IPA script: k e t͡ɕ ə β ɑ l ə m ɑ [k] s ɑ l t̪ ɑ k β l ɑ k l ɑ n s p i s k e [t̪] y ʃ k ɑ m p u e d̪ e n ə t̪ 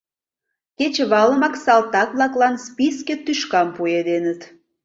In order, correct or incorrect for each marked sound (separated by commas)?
correct, correct